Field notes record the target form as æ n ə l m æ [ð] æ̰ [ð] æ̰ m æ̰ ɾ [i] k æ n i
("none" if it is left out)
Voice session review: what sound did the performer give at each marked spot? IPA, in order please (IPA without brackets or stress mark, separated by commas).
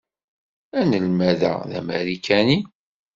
ð, ð, i